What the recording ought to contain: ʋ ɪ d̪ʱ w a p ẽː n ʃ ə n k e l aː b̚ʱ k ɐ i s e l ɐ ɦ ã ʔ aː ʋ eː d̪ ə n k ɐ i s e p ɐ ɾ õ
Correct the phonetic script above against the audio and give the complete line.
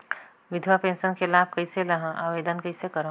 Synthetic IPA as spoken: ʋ ɪ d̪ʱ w a p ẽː n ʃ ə n k e l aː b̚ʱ k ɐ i s e l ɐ ɦ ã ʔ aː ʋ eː d̪ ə n k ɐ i s e k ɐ ɾ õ